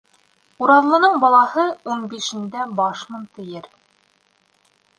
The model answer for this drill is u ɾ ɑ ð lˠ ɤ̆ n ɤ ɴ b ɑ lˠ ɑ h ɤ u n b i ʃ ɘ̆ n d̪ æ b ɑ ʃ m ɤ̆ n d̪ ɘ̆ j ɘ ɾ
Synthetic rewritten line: u ɾ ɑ ð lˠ ɤ̆ n ɤ ɴ b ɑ lˠ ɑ h ɤ u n b i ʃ ɘ̆ n d̪ æ b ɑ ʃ m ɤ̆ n t̪ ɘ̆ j ɘ ɾ